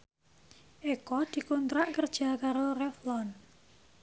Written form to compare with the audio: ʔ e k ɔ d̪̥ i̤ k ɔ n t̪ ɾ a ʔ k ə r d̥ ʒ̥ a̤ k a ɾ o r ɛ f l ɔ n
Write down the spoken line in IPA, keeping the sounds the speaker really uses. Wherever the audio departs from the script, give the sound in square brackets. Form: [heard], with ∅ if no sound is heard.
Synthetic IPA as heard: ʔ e k ɔ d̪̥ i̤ k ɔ n t̪ ɾ a ʔ k ə r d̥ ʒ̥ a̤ k a ɾ o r ɛ f l ɔ n